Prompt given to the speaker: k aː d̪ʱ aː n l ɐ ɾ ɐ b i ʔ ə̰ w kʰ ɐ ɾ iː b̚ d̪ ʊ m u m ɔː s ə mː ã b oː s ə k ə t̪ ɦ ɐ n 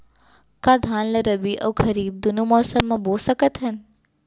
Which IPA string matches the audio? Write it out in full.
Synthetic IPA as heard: k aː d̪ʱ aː n l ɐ ɾ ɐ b i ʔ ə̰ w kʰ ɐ ɾ iː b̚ d̪ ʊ n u m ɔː s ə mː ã b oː s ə k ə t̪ ɦ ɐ n